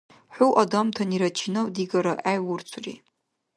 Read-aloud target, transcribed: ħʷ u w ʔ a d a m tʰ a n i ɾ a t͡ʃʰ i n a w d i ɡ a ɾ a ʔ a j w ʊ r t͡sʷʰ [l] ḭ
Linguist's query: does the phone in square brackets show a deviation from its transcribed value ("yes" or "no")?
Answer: yes